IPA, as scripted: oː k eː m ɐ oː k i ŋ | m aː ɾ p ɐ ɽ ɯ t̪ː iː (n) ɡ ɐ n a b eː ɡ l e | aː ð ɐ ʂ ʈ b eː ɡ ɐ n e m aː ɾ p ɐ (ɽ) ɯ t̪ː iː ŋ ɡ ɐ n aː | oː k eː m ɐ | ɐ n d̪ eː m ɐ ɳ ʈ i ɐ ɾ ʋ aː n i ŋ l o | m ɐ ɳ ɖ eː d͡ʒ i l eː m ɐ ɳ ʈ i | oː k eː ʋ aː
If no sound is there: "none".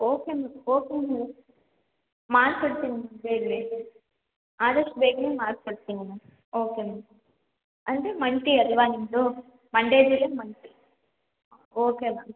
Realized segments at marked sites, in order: ŋ, ɽ

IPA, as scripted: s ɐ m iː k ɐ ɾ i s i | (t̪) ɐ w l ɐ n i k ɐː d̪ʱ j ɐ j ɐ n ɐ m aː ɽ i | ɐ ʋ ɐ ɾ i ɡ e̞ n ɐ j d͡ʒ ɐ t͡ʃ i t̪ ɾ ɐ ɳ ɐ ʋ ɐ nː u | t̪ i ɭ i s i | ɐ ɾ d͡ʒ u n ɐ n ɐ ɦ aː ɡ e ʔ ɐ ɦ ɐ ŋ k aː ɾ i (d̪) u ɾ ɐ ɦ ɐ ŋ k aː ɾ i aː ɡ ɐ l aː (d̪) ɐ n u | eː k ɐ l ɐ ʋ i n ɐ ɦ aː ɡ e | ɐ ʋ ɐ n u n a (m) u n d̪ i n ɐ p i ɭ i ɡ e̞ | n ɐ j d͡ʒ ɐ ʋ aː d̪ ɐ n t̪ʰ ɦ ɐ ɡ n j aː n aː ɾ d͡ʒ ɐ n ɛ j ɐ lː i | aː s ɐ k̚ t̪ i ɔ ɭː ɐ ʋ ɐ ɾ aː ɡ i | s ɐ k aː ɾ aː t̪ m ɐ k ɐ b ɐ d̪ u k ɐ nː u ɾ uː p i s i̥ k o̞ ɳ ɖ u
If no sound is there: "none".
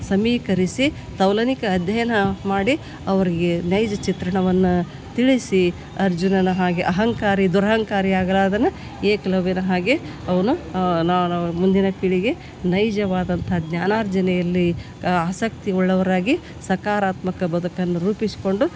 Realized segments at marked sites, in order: t̪, d̪, d̪, m

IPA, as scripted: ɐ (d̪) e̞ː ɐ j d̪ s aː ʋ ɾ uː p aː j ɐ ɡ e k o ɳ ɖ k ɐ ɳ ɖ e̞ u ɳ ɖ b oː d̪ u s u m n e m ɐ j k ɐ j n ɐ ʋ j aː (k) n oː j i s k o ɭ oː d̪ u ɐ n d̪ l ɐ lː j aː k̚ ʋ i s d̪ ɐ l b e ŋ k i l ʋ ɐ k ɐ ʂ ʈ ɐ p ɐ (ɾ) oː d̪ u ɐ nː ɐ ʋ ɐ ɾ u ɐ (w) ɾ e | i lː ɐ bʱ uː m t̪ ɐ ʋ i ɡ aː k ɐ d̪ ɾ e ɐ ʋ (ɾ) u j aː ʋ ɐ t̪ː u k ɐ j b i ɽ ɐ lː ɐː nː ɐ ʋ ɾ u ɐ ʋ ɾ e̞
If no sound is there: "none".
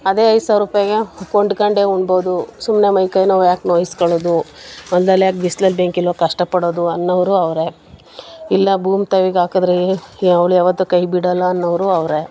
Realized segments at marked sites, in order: d̪, k, ɽ, ʋ, ɭ

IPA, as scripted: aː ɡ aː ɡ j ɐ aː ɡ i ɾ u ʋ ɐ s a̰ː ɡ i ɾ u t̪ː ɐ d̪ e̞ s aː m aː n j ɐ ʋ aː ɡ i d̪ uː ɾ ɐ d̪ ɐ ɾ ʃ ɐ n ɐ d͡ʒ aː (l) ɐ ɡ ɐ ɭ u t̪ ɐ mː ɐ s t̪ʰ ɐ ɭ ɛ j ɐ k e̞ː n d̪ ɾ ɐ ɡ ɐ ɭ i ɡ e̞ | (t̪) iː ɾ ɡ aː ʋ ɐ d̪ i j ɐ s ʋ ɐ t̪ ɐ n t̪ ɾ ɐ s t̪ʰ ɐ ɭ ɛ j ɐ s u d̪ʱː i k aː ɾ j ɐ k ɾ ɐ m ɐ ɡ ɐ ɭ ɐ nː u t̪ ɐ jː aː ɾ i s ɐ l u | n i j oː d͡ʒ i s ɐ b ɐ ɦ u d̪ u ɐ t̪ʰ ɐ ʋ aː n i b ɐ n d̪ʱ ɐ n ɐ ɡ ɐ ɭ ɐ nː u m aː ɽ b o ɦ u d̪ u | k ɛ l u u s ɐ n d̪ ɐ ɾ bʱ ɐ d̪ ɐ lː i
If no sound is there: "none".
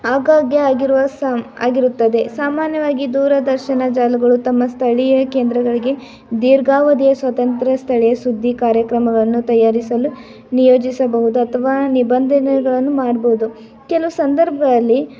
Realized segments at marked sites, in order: l, d̪

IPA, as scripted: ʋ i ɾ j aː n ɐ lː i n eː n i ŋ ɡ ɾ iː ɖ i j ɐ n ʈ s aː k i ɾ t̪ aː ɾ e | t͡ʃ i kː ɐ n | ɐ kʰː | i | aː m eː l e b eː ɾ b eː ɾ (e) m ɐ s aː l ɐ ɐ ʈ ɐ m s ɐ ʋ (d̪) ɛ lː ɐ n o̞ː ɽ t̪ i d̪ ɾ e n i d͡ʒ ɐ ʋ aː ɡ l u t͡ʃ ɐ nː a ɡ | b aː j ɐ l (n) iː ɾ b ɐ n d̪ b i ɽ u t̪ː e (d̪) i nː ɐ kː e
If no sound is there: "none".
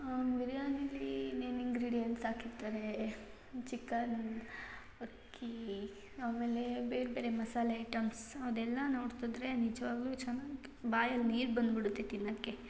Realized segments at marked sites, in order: e, d̪, n, t̪

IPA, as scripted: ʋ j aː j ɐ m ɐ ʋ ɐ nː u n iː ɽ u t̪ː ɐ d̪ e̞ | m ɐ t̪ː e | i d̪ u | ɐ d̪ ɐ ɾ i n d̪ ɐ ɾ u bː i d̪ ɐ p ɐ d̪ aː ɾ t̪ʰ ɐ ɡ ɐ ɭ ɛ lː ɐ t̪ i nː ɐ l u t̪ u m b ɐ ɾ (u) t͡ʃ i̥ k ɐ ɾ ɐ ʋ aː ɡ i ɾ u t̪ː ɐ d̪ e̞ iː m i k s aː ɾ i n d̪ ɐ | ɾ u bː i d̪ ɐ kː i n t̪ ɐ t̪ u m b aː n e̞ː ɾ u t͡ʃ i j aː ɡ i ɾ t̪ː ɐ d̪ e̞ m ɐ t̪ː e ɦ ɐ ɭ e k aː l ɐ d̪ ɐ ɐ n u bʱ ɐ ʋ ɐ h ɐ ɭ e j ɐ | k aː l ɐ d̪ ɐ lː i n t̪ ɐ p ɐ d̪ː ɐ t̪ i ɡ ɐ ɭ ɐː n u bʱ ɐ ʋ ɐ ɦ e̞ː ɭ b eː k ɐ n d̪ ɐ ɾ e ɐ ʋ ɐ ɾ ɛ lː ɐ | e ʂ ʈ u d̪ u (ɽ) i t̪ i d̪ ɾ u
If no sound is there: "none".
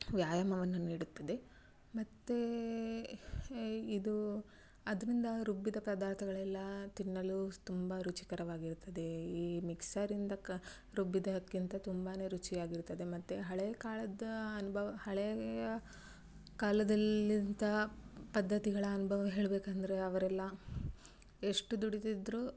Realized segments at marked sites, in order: u, ɽ

